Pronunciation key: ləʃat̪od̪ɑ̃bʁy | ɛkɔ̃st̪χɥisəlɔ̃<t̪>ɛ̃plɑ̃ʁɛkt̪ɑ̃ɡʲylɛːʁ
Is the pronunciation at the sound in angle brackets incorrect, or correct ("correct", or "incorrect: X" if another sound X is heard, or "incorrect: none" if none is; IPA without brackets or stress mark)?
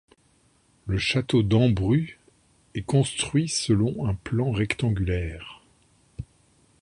incorrect: none